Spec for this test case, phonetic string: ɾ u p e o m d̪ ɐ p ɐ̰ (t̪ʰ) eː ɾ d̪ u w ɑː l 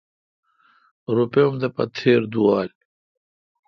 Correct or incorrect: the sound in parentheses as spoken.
correct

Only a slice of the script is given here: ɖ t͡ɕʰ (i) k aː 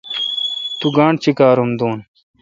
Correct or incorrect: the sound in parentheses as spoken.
correct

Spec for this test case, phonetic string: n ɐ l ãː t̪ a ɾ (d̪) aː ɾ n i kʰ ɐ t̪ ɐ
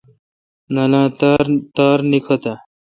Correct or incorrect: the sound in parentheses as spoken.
incorrect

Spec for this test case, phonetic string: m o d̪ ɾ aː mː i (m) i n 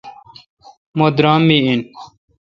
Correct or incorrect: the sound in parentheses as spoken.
incorrect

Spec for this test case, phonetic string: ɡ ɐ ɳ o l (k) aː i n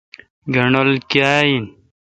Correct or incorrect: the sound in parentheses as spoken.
correct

